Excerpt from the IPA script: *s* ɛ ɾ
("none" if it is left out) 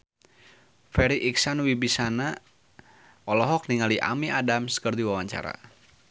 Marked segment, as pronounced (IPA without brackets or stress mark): f